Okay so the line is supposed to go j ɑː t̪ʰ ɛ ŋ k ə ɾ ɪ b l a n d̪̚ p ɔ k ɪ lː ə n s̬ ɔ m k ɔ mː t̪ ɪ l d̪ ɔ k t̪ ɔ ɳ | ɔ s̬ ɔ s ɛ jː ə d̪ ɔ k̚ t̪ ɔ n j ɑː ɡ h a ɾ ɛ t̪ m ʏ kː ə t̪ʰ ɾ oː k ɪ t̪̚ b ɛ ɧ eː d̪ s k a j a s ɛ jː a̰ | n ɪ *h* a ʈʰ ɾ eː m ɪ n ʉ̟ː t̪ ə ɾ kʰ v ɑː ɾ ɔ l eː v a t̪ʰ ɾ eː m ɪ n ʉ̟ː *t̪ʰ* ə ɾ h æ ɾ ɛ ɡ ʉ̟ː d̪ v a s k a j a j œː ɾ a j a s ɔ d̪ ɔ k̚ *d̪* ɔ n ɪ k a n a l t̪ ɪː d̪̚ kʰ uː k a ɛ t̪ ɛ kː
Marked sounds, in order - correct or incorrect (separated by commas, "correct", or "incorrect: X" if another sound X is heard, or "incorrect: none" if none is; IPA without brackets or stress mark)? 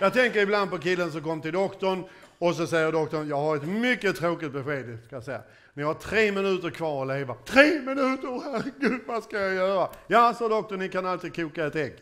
correct, incorrect: t̪, incorrect: t̪